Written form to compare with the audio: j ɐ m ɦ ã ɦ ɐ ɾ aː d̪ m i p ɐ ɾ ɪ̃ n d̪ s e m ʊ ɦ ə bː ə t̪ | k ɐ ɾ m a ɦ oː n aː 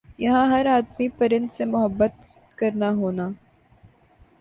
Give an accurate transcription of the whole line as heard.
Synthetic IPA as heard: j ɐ ɦ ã ɦ ɐ ɾ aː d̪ m i p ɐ ɾ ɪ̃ n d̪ s e m ʊ ɦ ə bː ə t̪ | k ɐ ɾ n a ɦ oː n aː